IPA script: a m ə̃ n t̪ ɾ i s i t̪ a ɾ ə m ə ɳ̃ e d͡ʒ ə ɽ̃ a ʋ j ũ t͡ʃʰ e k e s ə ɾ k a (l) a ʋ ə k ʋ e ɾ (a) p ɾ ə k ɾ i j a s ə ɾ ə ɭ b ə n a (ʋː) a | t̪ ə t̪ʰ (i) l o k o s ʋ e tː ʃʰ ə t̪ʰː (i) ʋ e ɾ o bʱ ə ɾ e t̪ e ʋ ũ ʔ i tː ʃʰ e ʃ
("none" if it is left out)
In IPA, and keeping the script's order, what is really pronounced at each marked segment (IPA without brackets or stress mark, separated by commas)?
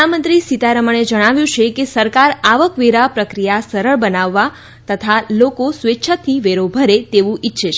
ɾ, a, ʋː, a, i